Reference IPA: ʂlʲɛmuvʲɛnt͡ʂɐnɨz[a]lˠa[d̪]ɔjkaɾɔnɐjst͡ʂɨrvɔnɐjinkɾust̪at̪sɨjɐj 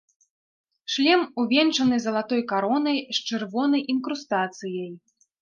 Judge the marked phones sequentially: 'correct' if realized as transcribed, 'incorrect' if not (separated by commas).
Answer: incorrect, incorrect